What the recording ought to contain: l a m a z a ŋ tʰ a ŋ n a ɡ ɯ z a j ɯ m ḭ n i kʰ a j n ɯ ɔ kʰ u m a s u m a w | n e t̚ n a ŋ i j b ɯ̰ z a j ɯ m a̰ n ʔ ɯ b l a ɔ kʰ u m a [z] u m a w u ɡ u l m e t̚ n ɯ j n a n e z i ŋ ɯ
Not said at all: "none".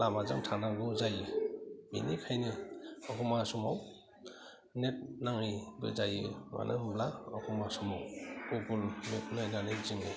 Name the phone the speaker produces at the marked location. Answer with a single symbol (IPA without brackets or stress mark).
s